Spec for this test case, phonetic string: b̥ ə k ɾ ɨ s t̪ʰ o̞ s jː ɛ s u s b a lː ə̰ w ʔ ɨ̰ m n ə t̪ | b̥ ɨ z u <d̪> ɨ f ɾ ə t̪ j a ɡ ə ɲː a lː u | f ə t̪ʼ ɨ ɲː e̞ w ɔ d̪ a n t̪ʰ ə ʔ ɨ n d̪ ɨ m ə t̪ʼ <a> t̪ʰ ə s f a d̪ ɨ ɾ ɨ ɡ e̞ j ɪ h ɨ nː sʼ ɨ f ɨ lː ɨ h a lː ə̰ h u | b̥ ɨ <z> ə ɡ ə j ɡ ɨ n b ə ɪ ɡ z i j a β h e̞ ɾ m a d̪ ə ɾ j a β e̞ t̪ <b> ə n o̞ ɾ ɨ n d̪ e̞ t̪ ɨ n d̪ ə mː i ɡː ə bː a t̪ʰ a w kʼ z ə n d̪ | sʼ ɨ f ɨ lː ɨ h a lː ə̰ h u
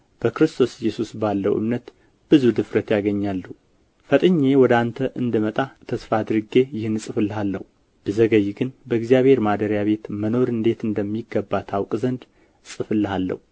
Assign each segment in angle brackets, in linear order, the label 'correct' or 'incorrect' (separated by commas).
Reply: correct, correct, correct, incorrect